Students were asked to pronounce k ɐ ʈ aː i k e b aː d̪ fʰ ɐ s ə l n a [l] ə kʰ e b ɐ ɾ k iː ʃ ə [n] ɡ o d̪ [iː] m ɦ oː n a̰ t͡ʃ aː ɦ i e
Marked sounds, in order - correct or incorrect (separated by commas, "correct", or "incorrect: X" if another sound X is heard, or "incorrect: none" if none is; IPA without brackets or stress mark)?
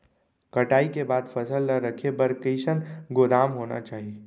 incorrect: ɾ, correct, incorrect: aː